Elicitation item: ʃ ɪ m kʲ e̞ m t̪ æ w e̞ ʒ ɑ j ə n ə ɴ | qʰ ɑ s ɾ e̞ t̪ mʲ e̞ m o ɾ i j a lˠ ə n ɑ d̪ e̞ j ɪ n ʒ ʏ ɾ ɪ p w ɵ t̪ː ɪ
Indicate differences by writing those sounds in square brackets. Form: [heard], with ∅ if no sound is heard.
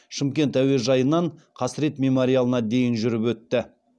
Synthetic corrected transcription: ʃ ɪ m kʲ e̞ [n] t̪ æ w e̞ ʒ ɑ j ə n [ɑ] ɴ | qʰ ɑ s ɾ e̞ t̪ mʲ e̞ m o ɾ i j a lˠ ə n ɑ d̪ e̞ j ɪ n ʒ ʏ ɾ ɪ p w ɵ t̪ː ɪ